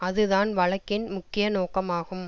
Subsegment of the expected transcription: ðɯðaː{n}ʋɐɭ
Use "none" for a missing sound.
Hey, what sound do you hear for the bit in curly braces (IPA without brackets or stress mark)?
n